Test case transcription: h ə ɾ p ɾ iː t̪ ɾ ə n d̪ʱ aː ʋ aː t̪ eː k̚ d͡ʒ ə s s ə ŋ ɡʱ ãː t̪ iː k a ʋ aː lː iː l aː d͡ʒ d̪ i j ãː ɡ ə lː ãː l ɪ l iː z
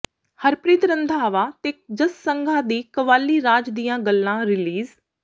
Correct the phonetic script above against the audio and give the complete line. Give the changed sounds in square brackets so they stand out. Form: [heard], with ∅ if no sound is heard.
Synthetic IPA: h ə ɾ p ɾ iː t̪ ɾ ə n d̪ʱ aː ʋ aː t̪ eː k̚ d͡ʒ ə s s ə ŋ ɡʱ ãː [d̪] iː k [ə] ʋ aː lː iː [ɾ] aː d͡ʒ d̪ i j ãː ɡ ə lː ãː [ɾ] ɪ l iː z